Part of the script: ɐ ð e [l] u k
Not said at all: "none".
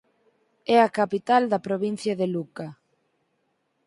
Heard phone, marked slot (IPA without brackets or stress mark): l